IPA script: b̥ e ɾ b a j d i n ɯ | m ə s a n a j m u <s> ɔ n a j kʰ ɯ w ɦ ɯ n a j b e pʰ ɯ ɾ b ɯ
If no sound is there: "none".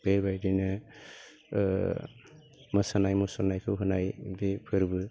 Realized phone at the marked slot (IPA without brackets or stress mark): s